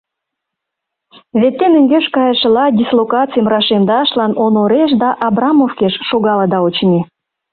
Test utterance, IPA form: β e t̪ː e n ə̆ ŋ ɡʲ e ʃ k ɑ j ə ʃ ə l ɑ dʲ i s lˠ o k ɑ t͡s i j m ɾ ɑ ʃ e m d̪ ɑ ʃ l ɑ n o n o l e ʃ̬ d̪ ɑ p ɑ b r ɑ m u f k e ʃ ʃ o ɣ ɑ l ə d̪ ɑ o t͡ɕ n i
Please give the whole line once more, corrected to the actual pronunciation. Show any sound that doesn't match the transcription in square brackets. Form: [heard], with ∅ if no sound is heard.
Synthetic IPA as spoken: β e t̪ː e n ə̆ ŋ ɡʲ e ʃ k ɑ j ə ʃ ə l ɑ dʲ i s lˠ o k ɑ t͡s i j m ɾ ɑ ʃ e m d̪ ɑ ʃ l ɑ n o n o [ɾ] e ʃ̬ d̪ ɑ [ʔ] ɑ b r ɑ m [o] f k e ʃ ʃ o ɣ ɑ l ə d̪ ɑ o t͡ɕ n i